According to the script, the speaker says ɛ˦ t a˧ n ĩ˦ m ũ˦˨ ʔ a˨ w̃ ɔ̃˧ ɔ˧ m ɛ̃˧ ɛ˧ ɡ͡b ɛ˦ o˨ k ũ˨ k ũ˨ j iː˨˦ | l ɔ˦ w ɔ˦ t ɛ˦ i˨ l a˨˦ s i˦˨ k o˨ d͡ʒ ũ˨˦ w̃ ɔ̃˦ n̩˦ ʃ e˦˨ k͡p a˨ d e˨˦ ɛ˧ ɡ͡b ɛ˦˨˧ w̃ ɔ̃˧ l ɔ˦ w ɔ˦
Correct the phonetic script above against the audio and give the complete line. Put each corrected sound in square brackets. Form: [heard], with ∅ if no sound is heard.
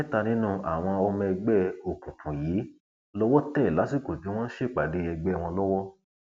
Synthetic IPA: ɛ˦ t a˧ n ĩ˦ [n] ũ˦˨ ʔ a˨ w̃ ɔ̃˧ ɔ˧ m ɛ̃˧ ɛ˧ ɡ͡b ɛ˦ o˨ k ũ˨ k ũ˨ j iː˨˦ | l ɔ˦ w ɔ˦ t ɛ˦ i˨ l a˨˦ s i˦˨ k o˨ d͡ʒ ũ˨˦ w̃ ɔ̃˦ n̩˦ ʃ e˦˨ k͡p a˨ d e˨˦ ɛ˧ ɡ͡b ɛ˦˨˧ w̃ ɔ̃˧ l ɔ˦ w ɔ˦